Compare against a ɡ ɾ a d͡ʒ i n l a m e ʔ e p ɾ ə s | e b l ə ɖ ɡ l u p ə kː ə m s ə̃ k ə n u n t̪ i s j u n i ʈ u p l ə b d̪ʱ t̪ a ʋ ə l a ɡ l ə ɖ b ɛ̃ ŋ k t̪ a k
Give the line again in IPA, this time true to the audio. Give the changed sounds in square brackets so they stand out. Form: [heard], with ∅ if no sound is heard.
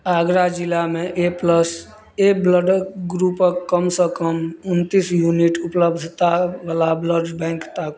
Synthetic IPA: a ɡ ɾ a d͡ʒ i [∅] l a m e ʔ e p [l] ə s | e b l ə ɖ ɡ [ɾ] u p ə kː ə m s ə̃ k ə [m] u n t̪ i s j u n i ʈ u p l ə b d̪ʱ t̪ a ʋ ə l a [b] l ə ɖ b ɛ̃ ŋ k t̪ a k